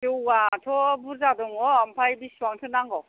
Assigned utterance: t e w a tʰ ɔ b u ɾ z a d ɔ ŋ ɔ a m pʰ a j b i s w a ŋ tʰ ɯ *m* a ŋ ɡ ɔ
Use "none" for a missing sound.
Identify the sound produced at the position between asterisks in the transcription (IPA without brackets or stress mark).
n